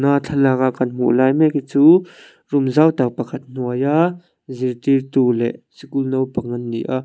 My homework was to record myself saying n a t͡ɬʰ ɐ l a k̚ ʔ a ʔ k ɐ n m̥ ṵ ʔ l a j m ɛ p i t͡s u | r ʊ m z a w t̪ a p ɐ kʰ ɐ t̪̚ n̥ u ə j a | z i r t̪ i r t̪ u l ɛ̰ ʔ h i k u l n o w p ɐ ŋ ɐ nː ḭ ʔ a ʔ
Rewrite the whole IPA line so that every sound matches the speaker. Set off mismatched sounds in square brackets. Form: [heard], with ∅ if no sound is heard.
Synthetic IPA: n a t͡ɬʰ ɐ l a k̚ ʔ a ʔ k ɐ n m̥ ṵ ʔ l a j m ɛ [k] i t͡s u | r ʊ m z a w t̪ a p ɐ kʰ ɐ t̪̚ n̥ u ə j a | z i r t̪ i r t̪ u l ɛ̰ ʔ [s] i k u l n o w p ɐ ŋ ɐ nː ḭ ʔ a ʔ